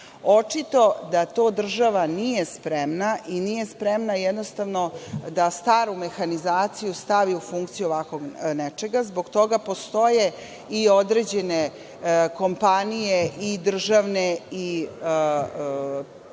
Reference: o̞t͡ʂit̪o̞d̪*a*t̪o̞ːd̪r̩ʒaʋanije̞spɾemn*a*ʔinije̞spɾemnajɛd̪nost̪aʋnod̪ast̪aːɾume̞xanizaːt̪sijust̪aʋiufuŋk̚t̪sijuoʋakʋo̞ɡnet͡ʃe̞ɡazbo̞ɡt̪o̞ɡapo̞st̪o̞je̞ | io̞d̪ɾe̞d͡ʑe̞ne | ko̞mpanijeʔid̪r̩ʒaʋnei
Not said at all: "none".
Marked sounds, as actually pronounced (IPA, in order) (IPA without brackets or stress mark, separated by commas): a, a